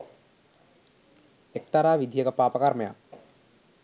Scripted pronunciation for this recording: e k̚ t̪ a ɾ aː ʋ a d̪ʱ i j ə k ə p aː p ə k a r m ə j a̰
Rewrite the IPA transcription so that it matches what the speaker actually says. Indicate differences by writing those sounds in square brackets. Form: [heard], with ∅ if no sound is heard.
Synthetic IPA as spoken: e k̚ t̪ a ɾ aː ʋ [i] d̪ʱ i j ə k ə p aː p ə k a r m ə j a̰